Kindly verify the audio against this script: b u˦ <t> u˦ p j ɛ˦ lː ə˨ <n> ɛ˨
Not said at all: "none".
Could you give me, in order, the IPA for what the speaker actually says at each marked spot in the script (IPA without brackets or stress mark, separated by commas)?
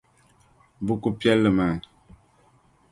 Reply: k, m